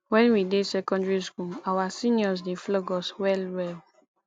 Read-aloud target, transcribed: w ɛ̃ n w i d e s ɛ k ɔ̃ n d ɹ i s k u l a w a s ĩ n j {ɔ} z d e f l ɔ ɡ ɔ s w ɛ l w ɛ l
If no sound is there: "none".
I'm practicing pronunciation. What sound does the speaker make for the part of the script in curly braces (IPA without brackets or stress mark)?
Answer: ɔ